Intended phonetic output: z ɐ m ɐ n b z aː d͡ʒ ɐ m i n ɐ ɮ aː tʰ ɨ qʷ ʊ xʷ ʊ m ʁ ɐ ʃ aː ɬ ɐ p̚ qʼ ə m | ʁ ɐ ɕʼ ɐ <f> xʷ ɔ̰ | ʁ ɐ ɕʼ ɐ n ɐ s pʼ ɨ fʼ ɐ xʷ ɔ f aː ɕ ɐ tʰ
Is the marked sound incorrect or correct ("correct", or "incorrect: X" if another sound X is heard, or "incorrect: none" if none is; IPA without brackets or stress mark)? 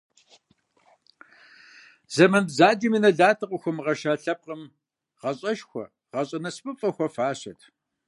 incorrect: ʃ